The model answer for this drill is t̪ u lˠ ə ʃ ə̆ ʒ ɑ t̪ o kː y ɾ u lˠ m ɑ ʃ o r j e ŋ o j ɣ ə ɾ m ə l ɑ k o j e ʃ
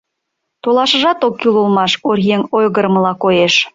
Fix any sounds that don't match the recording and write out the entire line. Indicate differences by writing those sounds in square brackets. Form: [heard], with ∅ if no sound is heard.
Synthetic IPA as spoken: t̪ [o] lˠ [ɑ] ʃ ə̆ ʒ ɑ t̪ o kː y [l] u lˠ m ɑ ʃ o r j e ŋ o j ɣ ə ɾ m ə l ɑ k o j e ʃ